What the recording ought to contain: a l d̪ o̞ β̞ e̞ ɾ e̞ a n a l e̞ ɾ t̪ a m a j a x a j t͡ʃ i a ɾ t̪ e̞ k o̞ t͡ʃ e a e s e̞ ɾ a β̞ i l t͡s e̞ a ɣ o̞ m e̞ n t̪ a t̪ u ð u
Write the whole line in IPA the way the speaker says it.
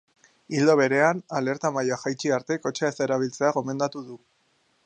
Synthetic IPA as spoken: i l d̪ o̞ β̞ e̞ ɾ e̞ a n a l e̞ ɾ t̪ a m a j a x a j t͡ʃ i a ɾ t̪ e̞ k o̞ t͡ʃ e a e s e̞ ɾ a β̞ i l t͡s e̞ a ɣ o̞ m e̞ n d̪ a t̪ u ð u

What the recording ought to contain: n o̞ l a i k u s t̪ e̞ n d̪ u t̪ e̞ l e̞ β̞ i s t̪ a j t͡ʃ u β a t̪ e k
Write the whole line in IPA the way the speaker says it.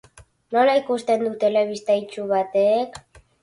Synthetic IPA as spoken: n o̞ l a i k u s t̪ e̞ n d̪ u t̪ e̞ l e̞ β̞ i s t̪ a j t͡ʃ u β a t̪ e k

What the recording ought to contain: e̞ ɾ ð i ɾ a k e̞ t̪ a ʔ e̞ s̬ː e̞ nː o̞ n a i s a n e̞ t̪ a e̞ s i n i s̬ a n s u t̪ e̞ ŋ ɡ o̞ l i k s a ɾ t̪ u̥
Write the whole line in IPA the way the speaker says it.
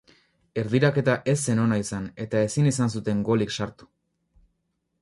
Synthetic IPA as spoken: e̞ ɾ ð i ɾ a k e̞ t̪ a ʔ e̞ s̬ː e̞ n o̞ n a i s a n e̞ t̪ a e̞ s i n i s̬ a n s u t̪ e̞ ŋ ɡ o̞ l i k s a ɾ t̪ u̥

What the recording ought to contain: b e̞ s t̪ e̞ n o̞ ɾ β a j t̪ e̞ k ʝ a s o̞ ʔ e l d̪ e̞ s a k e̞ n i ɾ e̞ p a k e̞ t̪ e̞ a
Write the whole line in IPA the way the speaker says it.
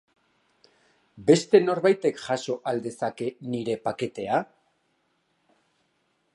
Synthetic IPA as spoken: b e̞ s t̪ e̞ n o̞ ɾ β a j t̪ e̞ k ʝ a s o̞ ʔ a l d̪ e̞ s a k e̞ n i ɾ e̞ p a k e̞ t̪ e̞ a

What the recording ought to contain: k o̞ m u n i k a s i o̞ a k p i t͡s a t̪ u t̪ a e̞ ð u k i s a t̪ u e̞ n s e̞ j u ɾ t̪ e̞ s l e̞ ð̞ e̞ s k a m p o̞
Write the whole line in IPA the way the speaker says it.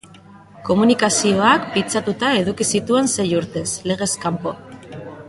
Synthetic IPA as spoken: k o̞ m u n i k a s i o̞ a k p i t͡s a t̪ u t̪ a e̞ ð u k i s i t̪ u e̞ n s e̞ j u ɾ t̪ e̞ s l e̞ ɣ̞ e̞ s k a m p o̞

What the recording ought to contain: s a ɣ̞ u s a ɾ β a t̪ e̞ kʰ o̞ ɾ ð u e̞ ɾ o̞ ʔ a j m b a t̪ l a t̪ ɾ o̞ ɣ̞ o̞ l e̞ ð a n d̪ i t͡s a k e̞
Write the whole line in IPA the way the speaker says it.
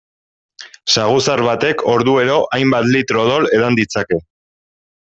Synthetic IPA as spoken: s a ɣ̞ u s a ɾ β a t̪ e̞ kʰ o̞ ɾ ð u e̞ ɾ o̞ ʔ a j m b a t̪ l i t̪ ɾ o̞ ð̞ o̞ l e̞ ð a n d̪ i t͡s a k e̞

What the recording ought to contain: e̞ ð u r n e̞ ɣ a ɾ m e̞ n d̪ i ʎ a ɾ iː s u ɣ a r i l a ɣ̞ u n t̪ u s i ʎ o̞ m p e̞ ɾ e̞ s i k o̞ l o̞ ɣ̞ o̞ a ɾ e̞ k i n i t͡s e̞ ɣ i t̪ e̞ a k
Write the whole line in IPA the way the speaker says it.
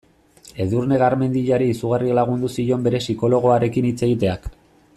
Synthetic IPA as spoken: e̞ ð u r n e̞ ɣ a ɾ m e̞ n d̪ i ʎ a ɾ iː s u ɣ a r i l a ɣ̞ u n d̪ u s i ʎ o̞ m b e̞ ɾ e̞ s i k o̞ l o̞ ɣ̞ o̞ a ɾ e̞ k i n i t͡s e̞ ɣ i t̪ e̞ a k

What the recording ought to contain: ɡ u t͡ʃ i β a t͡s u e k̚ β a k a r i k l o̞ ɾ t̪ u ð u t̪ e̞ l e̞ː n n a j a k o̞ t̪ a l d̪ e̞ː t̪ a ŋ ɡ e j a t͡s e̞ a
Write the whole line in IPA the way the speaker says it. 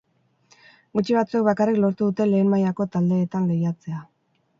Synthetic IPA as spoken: ɡ u t͡ʃ i β a t͡s u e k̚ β a k a r i k l o̞ ɾ t̪ u ð u t̪ e̞ l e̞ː n m a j a k o̞ t̪ a l d̪ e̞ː t̪ a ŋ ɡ e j a t͡s e̞ a

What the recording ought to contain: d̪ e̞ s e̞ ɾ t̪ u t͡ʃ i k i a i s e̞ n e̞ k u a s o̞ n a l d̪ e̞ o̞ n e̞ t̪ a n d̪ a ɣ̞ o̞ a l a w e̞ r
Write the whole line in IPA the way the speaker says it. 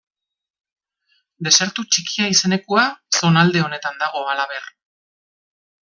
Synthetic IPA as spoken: d̪ e̞ s e̞ ɾ t̪ u t͡ʃ i k i a i s e̞ n e̞ k u a s o̞ n a l d̪ e̞ o̞ n e̞ t̪ a n d̪ a ɣ̞ o̞ a l a β e̞ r

